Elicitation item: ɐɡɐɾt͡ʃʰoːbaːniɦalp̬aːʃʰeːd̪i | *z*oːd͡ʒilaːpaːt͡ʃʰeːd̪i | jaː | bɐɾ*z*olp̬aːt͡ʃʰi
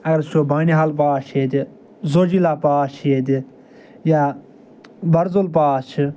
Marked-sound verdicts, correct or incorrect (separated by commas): correct, correct